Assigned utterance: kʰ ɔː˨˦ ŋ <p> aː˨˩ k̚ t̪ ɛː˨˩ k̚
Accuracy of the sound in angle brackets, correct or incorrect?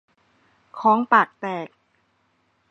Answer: correct